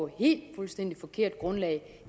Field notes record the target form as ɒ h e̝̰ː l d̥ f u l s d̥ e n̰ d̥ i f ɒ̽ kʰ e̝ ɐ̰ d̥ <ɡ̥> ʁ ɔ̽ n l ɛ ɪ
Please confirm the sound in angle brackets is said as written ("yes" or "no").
yes